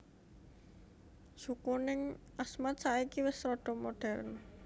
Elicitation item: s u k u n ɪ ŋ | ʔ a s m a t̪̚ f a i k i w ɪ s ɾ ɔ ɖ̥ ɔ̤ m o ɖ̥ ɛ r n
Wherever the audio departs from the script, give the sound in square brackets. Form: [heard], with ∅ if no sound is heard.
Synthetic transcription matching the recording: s u k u n ɪ ŋ | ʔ a s m a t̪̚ [s] a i k i w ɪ s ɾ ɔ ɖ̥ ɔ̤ m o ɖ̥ ɛ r n